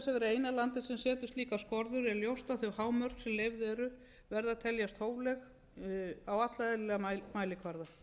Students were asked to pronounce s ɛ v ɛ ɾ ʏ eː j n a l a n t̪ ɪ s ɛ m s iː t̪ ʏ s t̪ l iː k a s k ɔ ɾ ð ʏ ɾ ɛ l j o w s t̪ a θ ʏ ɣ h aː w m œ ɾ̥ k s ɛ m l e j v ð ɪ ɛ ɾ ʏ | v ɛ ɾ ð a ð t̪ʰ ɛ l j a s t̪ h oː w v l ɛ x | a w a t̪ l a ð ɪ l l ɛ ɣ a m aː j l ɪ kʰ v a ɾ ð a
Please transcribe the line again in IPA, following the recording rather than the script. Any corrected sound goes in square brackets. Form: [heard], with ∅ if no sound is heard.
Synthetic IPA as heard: s ɛ v ɛ ɾ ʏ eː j n a l a n t̪ ɪ s ɛ m s [ɛː] t̪ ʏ s t̪ l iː k a s k ɔ ɾ ð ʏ ɾ ɛ l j o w s t̪ a θ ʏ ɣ h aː w m œ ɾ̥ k s ɛ m l e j v ð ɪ ɛ ɾ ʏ | v ɛ ɾ ð a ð t̪ʰ ɛ l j a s t̪ h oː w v l ɛ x | a w a t̪ l a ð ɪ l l ɛ ɣ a m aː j l ɪ kʰ v a ɾ ð a